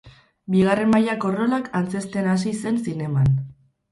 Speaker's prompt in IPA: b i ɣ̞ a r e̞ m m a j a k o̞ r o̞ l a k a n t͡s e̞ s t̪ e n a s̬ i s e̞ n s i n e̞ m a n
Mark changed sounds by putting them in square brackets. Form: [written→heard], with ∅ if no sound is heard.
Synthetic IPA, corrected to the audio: b i ɣ̞ a r e̞ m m a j a k o̞ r o̞ l a k a n t͡s e̞ s t̪ e n a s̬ i s e̞ n s i n e̞ m a n

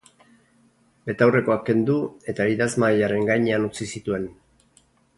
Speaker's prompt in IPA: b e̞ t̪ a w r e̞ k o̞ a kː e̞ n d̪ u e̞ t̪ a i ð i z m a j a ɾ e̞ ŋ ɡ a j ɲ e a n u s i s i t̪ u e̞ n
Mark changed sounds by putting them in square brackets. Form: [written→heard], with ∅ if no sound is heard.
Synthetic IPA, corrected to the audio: b e̞ t̪ a w r e̞ k o̞ a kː e̞ n d̪ u e̞ t̪ a i ð [i→a] z m a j a ɾ e̞ ŋ ɡ a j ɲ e a n u [s→t͡s] i s i t̪ u e̞ n

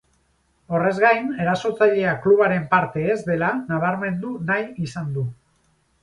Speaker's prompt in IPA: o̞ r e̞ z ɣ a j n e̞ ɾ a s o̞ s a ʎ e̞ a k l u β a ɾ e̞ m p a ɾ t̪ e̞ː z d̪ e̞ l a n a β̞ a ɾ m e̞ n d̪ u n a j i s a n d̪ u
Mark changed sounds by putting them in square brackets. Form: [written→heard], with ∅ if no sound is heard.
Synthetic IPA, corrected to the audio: o̞ r e̞ z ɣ a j n e̞ ɾ a s o̞ [s→t͡s] a ʎ e̞ a k l u β a ɾ e̞ m p a ɾ t̪ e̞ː z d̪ e̞ l a n a β̞ a ɾ m e̞ n d̪ u n a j i s a n d̪ u

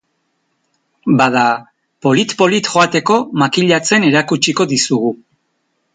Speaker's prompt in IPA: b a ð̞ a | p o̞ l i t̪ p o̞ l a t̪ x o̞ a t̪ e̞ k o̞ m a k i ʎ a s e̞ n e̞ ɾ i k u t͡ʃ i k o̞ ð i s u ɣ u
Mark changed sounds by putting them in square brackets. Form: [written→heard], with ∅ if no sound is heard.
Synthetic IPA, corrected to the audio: b a ð̞ a | p o̞ l i t̪ p o̞ l [a→i] t̪ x o̞ a t̪ e̞ k o̞ m a k i ʎ a [s→t͡s] e̞ n e̞ ɾ [i→a] k u t͡ʃ i k o̞ ð i s u ɣ u

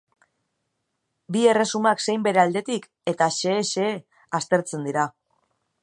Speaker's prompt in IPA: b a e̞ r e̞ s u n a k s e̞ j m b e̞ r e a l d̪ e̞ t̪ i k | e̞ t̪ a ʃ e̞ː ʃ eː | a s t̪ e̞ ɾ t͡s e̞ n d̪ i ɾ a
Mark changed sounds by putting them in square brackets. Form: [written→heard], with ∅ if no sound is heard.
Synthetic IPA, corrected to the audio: b [a→i] e̞ r e̞ s u [n→m] a k s e̞ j m b e̞ [r→ɾ] e a l d̪ e̞ t̪ i k | e̞ t̪ a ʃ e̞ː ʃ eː | a s t̪ e̞ ɾ t͡s e̞ n d̪ i ɾ a

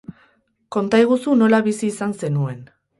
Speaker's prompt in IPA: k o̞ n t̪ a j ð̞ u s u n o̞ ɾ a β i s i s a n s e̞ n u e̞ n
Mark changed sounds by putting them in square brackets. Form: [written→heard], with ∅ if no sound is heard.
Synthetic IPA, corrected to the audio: k o̞ n t̪ a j [ð̞→ɣ̞] u s u n o̞ [ɾ→l] a β i s [i→iː] s a n s e̞ n u e̞ n

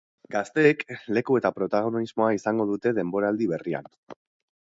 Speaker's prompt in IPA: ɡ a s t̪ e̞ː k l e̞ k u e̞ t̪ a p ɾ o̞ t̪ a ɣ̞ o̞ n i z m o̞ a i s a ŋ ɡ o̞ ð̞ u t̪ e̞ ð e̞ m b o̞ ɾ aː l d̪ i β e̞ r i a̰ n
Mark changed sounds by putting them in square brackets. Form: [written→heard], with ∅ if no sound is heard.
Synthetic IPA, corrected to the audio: ɡ a s t̪ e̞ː k l e̞ k u e̞ t̪ a p ɾ o̞ t̪ a ɣ̞ o̞ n i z m o̞ a i s a ŋ ɡ o̞ ð̞ u t̪ e̞ ð e̞ m b o̞ ɾ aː l d̪ i β e̞ r i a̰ n

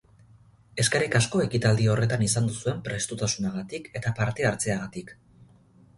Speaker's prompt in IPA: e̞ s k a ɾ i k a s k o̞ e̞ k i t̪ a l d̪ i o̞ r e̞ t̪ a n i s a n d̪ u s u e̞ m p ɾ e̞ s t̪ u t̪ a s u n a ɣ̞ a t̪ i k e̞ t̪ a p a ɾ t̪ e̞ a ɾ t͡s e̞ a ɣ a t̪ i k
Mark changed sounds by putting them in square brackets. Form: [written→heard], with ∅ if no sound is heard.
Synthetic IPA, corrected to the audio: e̞ s k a ɾ i k a s k o̞ e̞ k i t̪ a l d̪ i o̞ r e̞ t̪ a n i s a n d̪ u s u e̞ m p ɾ e̞ s t̪ u t̪ a s u n a ɣ̞ a t̪ i k e̞ t̪ a p a ɾ t̪ e̞ a ɾ t͡s e̞ a ɣ a t̪ i k

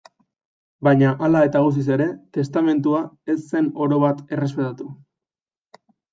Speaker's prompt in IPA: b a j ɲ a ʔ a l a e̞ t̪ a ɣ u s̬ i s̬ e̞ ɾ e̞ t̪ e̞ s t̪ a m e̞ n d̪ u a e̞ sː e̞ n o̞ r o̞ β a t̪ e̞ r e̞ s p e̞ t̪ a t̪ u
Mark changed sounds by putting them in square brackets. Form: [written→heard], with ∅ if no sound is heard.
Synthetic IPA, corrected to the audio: b a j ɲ a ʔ a l a e̞ t̪ a ɣ u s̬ i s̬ e̞ ɾ e̞ t̪ e̞ s t̪ a m e̞ n [d̪→t̪] u a e̞ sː e̞ n o̞ [r→ɾ] o̞ β a t̪ e̞ r e̞ s p e̞ t̪ a t̪ u

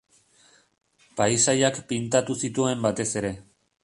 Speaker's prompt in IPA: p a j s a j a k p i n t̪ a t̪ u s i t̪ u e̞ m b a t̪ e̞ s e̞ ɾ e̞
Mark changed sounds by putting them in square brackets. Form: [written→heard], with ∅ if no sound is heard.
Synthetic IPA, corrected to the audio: p a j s a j a k p i n t̪ a t̪ u s i t̪ u e̞ m b a t̪ e̞ s e̞ ɾ e̞

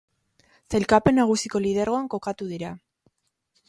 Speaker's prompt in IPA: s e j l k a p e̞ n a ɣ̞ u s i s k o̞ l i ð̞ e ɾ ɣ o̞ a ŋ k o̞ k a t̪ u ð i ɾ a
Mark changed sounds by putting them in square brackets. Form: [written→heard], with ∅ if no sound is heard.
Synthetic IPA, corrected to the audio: s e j l k a p e̞ n a ɣ̞ u s i [s→∅] k o̞ l i ð̞ e ɾ ɣ o̞ a ŋ k o̞ k a t̪ u ð i ɾ a

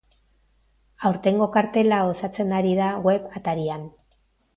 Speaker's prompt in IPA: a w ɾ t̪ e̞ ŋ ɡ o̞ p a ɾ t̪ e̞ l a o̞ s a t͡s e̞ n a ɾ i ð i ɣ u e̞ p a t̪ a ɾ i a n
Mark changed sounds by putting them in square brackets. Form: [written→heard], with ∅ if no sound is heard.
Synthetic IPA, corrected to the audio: a w ɾ t̪ e̞ ŋ ɡ o̞ [p→k] a ɾ t̪ e̞ l a o̞ s a t͡s e̞ n a ɾ i ð [i→a] ɣ [u→w] e̞ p a t̪ a ɾ i a n

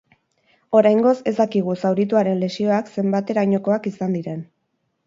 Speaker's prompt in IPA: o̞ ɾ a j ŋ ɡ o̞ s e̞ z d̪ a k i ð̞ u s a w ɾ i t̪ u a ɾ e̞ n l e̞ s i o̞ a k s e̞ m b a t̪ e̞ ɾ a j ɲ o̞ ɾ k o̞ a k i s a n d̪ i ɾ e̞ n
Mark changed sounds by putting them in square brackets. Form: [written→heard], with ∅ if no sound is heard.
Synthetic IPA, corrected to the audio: o̞ ɾ a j ŋ ɡ o̞ s e̞ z d̪ a k i [ð̞→ɣ̞] u s a w ɾ i t̪ u a ɾ e̞ n l e̞ s i o̞ a k s e̞ m b a t̪ e̞ ɾ a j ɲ o̞ [ɾ→∅] k o̞ a k i s a n d̪ i ɾ e̞ n

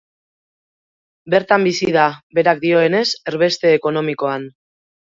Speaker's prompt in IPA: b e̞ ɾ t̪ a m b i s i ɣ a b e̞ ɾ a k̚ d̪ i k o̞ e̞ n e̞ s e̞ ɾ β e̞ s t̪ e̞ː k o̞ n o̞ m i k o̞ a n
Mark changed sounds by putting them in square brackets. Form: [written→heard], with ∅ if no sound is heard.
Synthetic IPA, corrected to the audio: b e̞ ɾ t̪ a m b i s i [ɣ→ð] a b e̞ ɾ a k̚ d̪ i [k→∅] o̞ e̞ n e̞ s e̞ ɾ β e̞ s t̪ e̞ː k o̞ n o̞ m i k o̞ a n

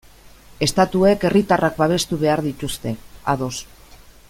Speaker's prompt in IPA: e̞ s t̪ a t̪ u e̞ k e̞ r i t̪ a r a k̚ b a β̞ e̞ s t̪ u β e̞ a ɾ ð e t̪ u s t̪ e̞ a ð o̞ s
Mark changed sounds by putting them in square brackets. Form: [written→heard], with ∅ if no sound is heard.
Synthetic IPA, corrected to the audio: e̞ s t̪ a t̪ u e̞ k e̞ r i t̪ a r a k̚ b a β̞ e̞ s t̪ u β e̞ a ɾ ð [e→i] t̪ u s t̪ e̞ a ð o̞ s

